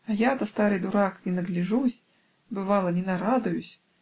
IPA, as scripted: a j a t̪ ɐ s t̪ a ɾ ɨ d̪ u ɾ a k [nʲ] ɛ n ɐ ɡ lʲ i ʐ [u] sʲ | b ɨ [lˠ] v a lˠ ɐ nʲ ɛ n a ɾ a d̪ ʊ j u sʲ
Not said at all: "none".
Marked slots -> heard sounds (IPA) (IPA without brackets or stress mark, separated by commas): nʲ, u, none